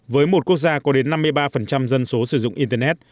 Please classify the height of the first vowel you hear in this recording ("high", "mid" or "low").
mid